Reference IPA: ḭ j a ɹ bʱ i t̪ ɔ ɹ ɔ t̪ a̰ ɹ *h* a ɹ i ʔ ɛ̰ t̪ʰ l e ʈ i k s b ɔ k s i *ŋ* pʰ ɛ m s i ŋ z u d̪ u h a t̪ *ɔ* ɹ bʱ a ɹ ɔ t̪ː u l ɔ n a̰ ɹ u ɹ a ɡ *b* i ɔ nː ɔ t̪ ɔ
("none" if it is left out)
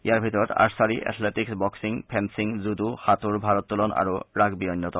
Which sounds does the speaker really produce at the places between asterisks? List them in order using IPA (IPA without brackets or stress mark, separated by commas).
s, ŋ, u, b